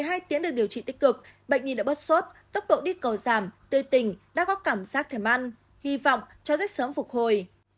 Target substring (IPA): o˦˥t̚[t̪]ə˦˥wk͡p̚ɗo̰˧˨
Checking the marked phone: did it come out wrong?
no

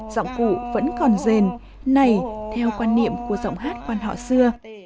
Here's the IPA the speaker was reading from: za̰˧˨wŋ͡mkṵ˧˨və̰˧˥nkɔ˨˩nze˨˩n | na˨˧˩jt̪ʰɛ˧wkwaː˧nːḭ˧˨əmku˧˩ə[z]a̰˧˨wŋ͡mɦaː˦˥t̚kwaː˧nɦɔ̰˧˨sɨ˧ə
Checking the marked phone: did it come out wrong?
no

